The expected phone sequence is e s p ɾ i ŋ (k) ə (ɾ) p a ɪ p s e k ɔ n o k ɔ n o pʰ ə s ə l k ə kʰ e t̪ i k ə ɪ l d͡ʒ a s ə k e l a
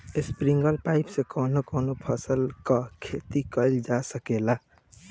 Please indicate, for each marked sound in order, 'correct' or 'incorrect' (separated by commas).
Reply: incorrect, incorrect